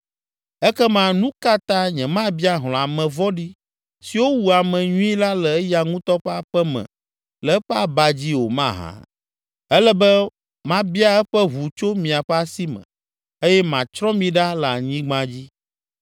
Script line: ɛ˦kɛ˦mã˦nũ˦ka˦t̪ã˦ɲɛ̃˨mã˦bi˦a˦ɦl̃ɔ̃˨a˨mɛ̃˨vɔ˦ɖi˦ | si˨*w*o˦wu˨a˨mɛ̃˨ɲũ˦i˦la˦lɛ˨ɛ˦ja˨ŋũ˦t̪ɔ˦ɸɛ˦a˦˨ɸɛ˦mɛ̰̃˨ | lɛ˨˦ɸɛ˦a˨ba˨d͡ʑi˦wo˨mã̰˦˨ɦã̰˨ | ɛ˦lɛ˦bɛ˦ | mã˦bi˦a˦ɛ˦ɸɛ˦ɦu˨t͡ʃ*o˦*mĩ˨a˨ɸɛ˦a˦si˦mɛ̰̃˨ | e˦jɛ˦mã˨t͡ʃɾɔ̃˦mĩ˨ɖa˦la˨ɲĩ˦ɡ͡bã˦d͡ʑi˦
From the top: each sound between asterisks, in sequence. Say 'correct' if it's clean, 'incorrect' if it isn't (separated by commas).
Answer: correct, correct